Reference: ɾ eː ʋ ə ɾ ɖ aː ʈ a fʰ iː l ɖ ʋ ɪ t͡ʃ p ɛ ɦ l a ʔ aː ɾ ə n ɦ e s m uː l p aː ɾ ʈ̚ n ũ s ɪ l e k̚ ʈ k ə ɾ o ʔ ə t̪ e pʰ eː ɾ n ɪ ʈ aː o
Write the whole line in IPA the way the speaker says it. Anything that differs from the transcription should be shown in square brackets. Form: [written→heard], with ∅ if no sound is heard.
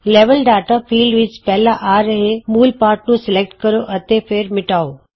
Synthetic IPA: [ɾ→l] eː ʋ ə [ɾ→l] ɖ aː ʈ a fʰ iː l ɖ ʋ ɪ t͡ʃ p ɛ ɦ l a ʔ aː ɾ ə [n→∅] ɦ e [s→∅] m uː l p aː ɾ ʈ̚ n ũ s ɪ l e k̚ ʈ k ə ɾ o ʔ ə t̪ e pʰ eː ɾ [n→m] ɪ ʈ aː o